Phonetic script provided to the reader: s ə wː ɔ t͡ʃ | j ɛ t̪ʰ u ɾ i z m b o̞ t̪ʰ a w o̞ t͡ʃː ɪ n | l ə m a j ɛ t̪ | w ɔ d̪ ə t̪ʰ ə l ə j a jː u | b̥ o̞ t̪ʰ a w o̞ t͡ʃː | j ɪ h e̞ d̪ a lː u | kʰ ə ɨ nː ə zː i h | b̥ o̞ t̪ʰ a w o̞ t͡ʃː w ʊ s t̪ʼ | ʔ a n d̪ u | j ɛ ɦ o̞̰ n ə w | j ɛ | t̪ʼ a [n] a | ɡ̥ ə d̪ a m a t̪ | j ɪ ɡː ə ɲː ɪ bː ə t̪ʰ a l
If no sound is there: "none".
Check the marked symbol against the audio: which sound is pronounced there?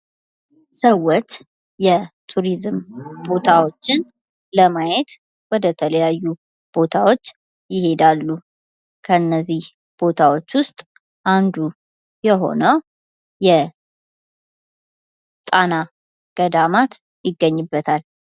n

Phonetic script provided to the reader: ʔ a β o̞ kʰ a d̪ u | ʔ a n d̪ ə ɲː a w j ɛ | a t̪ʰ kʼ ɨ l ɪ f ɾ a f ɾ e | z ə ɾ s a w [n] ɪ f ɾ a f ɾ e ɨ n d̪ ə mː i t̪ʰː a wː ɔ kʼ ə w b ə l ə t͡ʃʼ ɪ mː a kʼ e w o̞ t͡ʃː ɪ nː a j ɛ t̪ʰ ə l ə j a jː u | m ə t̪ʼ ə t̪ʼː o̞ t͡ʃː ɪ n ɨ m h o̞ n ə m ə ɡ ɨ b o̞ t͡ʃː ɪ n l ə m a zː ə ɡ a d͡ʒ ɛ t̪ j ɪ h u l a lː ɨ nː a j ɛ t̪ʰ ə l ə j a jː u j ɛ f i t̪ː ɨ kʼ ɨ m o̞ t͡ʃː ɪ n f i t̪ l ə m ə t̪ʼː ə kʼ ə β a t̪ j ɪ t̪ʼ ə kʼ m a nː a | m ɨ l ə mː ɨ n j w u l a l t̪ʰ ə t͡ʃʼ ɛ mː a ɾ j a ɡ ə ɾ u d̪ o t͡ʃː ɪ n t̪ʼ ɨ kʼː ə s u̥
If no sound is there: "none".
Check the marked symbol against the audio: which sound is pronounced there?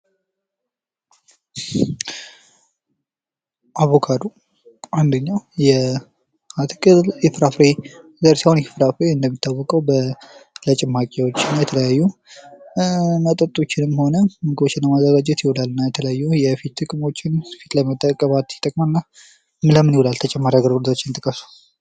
n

